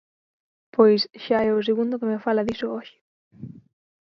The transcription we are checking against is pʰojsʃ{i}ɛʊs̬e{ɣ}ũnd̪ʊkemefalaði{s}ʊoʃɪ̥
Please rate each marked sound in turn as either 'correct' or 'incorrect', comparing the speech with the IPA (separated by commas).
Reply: incorrect, correct, correct